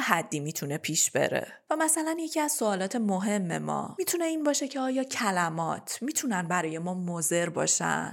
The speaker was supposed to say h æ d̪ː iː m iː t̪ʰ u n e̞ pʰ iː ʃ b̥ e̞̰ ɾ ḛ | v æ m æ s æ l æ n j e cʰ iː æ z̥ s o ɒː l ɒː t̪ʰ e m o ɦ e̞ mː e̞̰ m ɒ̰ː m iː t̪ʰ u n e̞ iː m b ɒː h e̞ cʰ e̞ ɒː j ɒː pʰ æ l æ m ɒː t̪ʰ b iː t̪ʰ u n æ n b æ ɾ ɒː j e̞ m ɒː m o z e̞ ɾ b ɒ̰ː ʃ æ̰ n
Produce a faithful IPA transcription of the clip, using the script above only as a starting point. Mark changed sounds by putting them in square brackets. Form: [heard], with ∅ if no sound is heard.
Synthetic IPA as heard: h æ d̪ː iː m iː t̪ʰ u n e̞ pʰ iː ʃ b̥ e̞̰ ɾ ḛ | v æ m æ s æ l æ n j e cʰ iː æ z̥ s o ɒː l ɒː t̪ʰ e m o ɦ e̞ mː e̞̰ m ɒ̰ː m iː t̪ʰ u n e̞ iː [n] b ɒː [ʃ] e̞ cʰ e̞ ɒː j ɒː [cʰ] æ l æ m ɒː t̪ʰ [m] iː t̪ʰ u n æ n b æ ɾ ɒː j e̞ m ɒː m o z e̞ ɾ b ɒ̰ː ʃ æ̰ n